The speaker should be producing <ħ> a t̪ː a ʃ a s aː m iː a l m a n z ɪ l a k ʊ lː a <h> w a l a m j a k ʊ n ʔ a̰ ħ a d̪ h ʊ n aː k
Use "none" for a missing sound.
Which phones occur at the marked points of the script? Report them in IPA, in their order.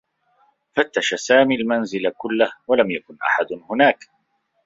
f, h

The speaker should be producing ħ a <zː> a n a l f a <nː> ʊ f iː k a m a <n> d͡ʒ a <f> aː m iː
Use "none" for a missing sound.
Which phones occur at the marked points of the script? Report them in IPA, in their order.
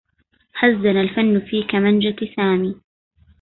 zː, nː, n, s

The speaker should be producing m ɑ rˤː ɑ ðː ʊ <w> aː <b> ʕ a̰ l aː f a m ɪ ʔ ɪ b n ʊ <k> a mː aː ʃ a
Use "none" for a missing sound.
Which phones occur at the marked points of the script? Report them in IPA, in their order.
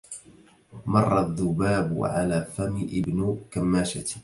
b, b, k

